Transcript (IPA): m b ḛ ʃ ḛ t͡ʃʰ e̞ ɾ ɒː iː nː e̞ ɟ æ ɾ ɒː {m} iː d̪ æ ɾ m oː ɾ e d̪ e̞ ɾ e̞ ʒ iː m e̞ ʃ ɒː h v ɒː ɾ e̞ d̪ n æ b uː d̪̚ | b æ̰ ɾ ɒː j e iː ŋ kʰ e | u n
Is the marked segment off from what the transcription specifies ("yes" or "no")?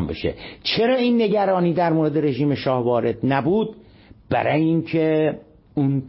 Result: yes